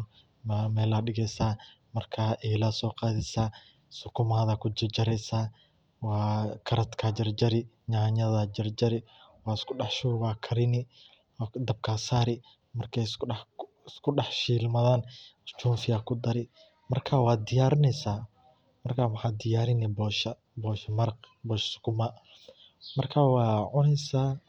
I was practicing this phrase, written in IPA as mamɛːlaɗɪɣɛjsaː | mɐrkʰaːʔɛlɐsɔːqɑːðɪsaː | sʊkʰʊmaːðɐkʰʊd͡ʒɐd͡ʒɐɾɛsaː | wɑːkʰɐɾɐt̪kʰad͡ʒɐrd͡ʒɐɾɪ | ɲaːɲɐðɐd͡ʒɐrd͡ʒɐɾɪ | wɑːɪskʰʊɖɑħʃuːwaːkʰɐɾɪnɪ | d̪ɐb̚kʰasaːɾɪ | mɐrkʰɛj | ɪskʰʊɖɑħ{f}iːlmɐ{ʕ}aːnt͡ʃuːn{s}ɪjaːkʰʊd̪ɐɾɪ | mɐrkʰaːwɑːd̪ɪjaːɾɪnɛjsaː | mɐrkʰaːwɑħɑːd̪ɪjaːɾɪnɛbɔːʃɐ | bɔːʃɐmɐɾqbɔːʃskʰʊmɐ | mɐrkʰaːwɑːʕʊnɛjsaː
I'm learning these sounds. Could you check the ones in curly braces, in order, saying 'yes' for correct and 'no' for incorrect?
no, no, no

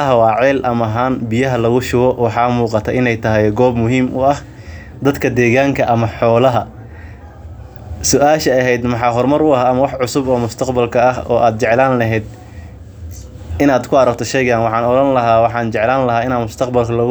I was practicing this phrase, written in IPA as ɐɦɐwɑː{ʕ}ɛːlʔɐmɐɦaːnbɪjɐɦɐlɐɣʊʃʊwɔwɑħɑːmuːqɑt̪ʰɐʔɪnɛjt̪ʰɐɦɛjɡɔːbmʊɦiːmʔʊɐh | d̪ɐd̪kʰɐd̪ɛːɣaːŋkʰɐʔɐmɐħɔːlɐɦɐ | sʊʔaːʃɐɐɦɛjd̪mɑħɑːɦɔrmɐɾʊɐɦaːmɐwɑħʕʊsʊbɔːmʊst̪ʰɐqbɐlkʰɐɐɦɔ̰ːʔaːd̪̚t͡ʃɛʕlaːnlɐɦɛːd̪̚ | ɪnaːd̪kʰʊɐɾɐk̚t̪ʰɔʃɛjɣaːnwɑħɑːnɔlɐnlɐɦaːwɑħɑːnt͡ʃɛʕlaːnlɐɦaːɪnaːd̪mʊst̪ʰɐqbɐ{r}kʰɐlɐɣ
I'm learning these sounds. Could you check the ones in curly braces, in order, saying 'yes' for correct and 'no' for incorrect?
yes, no

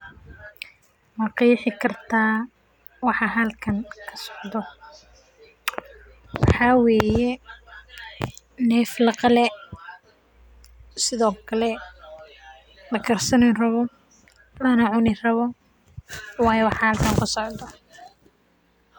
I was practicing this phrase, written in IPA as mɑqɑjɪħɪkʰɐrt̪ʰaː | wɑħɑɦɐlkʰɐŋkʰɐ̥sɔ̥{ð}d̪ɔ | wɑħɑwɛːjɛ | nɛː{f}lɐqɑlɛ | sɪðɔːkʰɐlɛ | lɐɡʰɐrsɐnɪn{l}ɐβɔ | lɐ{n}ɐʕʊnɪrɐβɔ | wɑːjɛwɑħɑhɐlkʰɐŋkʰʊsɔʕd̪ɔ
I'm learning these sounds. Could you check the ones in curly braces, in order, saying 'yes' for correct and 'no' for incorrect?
no, yes, no, yes

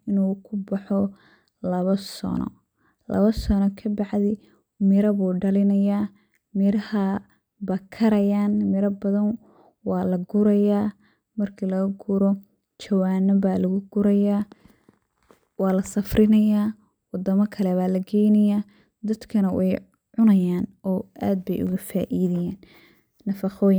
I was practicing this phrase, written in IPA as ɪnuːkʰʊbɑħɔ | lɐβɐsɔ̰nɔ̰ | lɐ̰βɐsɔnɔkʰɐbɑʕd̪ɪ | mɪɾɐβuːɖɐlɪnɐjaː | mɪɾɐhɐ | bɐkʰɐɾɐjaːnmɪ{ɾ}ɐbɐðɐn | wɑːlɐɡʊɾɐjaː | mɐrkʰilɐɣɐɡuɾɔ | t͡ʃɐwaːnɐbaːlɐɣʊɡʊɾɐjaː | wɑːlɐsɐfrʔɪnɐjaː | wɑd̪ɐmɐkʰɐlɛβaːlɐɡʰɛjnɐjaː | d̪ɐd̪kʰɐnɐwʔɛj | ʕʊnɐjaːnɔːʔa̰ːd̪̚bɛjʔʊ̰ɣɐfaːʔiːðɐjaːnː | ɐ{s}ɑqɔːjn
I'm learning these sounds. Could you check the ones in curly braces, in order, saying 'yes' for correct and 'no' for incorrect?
yes, no

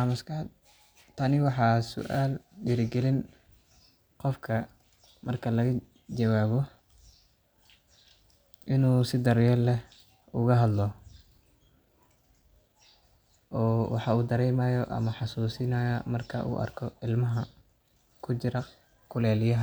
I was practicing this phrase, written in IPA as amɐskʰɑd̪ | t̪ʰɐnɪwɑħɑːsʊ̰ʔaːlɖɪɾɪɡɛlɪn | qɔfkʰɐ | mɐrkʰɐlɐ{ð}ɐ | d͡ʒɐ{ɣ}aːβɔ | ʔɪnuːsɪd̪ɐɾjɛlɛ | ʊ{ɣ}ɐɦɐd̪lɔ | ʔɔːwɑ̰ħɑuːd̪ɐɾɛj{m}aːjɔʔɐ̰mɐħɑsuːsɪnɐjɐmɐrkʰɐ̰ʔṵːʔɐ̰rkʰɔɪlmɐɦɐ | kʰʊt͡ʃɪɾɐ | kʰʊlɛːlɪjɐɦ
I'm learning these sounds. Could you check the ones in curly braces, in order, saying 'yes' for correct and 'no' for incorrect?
no, no, yes, yes

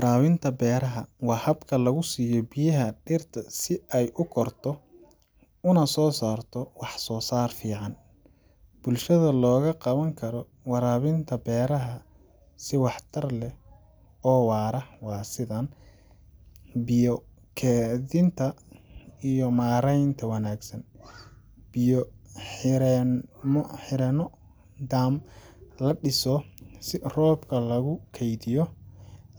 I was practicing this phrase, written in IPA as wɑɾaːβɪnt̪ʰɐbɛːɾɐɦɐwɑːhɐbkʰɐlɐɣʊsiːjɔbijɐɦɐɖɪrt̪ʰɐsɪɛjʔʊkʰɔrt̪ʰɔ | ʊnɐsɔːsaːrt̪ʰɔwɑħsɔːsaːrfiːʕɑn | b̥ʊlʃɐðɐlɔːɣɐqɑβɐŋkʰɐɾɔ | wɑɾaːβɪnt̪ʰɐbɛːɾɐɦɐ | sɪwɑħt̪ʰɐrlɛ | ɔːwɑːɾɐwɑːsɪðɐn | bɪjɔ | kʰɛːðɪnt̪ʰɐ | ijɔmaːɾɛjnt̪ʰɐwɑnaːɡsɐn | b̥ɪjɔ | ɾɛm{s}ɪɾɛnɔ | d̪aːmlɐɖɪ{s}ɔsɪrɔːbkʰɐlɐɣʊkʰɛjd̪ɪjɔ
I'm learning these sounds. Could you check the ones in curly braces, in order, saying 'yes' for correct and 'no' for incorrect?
no, yes

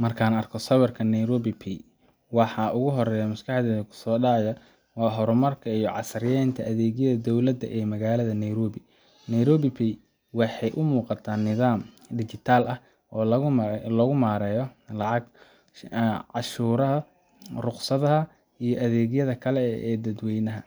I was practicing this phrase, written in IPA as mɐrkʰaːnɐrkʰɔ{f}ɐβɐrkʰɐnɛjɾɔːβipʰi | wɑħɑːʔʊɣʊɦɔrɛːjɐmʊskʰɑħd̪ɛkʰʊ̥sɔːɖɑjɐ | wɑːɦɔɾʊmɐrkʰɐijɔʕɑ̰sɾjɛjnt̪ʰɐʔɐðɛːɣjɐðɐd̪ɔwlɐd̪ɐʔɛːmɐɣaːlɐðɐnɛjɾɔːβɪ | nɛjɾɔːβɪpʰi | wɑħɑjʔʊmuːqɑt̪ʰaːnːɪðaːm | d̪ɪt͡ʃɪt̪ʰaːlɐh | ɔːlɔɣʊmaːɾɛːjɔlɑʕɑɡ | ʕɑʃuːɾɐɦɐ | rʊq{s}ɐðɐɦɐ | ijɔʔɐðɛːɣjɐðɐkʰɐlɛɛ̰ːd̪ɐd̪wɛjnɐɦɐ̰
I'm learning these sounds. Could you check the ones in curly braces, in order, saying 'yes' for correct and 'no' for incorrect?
no, yes

